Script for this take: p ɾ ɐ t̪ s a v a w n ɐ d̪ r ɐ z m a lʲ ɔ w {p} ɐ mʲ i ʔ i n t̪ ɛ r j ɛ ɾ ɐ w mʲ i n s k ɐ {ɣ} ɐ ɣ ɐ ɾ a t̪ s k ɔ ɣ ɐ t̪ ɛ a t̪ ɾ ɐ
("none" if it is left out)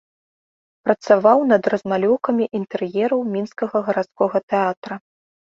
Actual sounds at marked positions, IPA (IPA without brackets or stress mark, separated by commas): k, ɣ